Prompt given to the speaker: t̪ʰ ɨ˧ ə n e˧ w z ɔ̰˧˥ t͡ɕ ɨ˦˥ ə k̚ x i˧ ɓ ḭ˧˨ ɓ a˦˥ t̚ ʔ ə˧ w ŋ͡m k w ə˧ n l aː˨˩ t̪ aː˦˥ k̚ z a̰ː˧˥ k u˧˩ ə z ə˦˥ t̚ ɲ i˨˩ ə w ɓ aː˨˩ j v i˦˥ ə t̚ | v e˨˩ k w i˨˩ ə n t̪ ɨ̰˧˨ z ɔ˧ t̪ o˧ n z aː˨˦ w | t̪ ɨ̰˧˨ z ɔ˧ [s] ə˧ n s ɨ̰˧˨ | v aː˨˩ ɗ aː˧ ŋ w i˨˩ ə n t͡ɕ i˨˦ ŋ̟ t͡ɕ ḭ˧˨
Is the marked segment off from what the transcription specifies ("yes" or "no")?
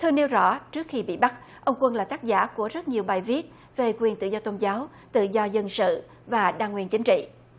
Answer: yes